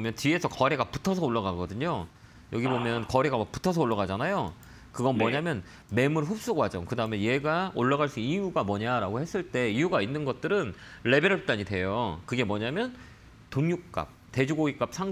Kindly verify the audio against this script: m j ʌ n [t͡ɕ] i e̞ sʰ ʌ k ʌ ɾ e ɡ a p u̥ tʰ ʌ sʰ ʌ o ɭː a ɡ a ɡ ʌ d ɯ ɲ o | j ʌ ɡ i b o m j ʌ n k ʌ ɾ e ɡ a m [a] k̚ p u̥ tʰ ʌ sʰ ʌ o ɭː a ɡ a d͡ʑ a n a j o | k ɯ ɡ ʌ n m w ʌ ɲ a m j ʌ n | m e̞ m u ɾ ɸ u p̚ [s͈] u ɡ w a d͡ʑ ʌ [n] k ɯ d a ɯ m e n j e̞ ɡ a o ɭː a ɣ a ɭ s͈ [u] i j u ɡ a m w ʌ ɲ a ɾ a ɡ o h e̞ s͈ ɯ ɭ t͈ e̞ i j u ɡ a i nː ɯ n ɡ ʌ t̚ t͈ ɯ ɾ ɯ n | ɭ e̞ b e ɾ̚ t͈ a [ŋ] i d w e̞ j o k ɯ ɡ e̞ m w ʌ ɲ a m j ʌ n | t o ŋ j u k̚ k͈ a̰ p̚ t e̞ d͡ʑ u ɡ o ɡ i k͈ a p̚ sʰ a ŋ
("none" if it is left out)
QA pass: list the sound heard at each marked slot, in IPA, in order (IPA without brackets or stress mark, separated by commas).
t͡ɕ, a, s͈, ŋ, u, ɲ